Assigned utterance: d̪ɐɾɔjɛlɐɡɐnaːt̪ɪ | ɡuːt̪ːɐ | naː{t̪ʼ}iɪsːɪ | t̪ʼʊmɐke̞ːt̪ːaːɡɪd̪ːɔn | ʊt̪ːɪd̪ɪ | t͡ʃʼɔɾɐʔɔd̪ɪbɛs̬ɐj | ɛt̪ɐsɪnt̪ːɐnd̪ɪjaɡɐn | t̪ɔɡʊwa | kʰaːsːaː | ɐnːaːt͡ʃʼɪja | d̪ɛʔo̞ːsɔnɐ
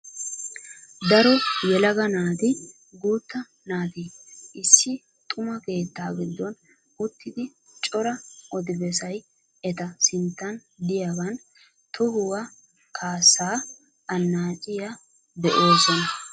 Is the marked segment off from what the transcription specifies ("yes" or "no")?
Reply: yes